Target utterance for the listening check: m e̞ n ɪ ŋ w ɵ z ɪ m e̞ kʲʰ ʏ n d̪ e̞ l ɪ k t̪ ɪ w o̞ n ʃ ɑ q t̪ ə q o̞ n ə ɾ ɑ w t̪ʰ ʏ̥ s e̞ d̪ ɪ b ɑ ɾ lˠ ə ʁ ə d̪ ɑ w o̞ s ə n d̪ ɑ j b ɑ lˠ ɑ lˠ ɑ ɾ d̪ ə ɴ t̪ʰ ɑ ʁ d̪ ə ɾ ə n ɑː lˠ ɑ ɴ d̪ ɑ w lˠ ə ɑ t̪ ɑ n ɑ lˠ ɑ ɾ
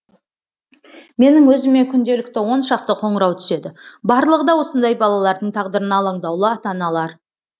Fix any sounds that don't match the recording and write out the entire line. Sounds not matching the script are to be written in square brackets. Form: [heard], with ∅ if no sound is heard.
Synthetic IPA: m e̞ n ɪ ŋ w ɵ z ɪ m e̞ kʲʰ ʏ n d̪ e̞ l ɪ k t̪ ɪ w o̞ n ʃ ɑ q t̪ ə [qʰ] o̞ [ɴ] ə ɾ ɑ w t̪ʰ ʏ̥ s e̞ d̪ ɪ b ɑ ɾ lˠ ə ʁ ə d̪ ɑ w o̞ s ə n d̪ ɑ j b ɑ lˠ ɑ lˠ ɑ ɾ d̪ ə ɴ t̪ʰ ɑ ʁ d̪ ə ɾ ə n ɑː lˠ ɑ ɴ d̪ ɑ w lˠ ə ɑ t̪ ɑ n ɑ lˠ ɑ ɾ